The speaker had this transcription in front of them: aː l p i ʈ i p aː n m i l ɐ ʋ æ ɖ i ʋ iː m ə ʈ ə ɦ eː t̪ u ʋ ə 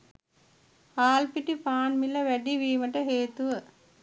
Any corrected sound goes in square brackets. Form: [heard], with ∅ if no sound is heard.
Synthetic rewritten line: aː l p i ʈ i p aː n m i l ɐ ʋ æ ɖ i ʋ iː m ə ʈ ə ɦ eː t̪ u ʋ ə